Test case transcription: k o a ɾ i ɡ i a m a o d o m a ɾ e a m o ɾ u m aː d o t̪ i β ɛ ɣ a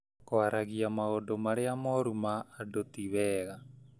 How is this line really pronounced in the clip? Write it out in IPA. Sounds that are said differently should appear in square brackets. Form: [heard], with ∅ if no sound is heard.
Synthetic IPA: k o a ɾ [a] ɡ i a m a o d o m a ɾ e a m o ɾ u m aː d o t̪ i β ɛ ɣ a